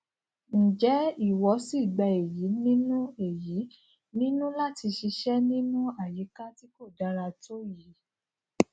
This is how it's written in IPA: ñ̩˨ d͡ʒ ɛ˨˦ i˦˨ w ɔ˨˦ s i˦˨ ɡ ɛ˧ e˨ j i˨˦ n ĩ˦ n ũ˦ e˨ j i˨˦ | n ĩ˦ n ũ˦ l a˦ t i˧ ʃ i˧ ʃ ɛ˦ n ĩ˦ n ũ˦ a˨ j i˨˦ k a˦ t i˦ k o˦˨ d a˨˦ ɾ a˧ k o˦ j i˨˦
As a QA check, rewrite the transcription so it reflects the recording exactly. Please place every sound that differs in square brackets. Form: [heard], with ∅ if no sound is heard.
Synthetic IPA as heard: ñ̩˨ d͡ʒ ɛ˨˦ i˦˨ w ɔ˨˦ s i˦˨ [ɡ͡b] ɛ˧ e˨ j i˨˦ n ĩ˦ n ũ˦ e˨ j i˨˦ | n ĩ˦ n ũ˦ l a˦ t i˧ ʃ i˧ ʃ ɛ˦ n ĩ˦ n ũ˦ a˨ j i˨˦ k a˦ t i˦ k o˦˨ d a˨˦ ɾ a˧ [t] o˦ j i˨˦